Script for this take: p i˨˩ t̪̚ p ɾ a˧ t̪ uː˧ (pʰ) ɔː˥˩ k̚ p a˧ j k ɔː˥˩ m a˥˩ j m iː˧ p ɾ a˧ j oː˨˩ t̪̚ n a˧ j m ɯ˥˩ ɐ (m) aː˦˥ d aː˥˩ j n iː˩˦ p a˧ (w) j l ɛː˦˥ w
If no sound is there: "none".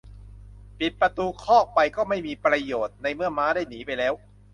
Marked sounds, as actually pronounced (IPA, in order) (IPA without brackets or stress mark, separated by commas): kʰ, m, none